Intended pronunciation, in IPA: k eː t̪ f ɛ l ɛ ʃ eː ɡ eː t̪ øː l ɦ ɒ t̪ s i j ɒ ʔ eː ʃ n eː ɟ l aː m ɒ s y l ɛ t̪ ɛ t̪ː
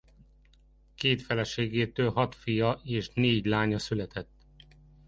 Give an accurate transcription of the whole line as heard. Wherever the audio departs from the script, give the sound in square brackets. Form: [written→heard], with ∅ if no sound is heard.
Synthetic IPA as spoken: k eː t̪ f ɛ l ɛ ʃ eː ɡ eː t̪ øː l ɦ ɒ t̪ [s→f] i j ɒ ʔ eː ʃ n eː ɟ l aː [m→ɲ] ɒ s y l ɛ t̪ ɛ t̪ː